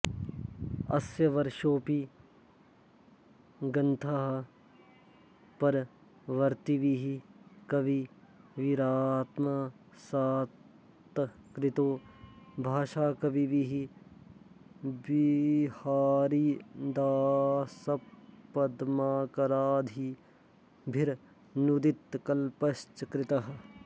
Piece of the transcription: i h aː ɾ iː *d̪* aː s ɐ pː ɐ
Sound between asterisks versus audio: correct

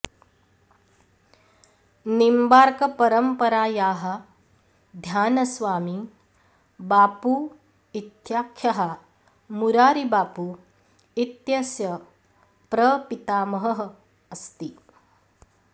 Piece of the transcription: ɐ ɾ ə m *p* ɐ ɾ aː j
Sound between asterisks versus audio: correct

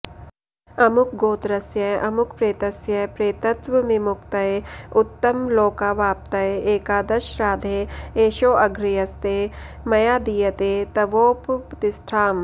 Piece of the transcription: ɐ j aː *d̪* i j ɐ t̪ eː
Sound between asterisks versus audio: correct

